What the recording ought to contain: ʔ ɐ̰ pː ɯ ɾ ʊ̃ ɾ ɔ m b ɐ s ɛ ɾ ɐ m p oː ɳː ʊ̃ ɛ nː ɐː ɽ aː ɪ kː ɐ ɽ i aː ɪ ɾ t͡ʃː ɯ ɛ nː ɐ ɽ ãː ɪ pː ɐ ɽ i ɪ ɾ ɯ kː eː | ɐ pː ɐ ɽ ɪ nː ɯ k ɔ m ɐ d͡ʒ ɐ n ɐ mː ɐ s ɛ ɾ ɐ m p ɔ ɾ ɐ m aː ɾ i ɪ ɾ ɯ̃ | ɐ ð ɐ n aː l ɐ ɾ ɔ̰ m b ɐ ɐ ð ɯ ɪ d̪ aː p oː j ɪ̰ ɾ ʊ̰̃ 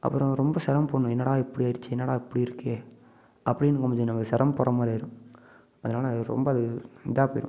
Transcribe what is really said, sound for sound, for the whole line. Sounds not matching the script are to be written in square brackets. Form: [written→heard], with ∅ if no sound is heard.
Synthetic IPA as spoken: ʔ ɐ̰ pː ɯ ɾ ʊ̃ ɾ ɔ m b ɐ s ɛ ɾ ɐ m p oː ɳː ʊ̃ ɛ nː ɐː ɽ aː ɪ [kː→pː] ɐ ɽ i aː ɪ ɾ t͡ʃː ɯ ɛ nː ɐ ɽ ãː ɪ pː ɐ ɽ i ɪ ɾ ɯ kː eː | ɐ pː ɐ ɽ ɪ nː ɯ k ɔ m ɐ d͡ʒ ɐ n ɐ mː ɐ s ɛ ɾ ɐ m p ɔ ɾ ɐ m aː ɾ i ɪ ɾ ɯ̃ | ɐ ð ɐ n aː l ɐ ɾ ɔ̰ m b ɐ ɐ ð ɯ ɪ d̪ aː p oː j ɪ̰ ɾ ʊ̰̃